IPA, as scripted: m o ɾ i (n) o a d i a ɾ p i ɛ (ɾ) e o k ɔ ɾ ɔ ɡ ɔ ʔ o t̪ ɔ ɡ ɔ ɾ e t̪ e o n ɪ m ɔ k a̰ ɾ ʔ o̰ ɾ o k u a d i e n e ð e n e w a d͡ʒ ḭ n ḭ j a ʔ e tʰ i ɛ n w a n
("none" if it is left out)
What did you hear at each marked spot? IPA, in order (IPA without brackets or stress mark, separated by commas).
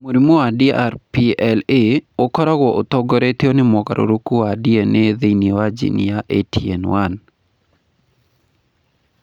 m, l